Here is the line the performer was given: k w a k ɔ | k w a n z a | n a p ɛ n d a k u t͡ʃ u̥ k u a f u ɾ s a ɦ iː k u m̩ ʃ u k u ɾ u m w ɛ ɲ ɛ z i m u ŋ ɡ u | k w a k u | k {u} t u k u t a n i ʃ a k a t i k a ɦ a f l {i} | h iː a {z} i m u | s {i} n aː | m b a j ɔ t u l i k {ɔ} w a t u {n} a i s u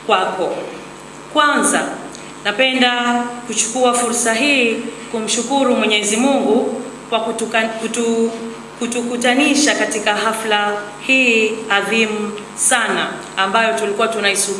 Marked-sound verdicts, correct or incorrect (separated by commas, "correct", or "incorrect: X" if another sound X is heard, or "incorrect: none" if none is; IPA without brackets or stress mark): correct, incorrect: a, incorrect: ð, incorrect: a, incorrect: u, correct